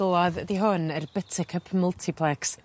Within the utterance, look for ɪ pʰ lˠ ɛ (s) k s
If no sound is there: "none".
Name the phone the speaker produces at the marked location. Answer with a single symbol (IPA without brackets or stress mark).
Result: none